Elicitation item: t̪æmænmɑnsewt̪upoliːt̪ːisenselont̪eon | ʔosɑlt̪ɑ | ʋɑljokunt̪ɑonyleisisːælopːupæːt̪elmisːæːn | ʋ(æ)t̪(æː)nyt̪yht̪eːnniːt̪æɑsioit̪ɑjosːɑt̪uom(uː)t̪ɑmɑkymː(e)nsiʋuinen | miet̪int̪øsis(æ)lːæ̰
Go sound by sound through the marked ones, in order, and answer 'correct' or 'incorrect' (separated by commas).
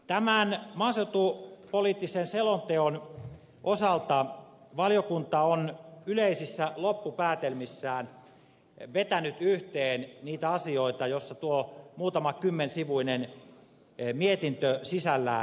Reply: incorrect, incorrect, correct, correct, correct